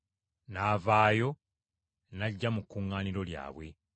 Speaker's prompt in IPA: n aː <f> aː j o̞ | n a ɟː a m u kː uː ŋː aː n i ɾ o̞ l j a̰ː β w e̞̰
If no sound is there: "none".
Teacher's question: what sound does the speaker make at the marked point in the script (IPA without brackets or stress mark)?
v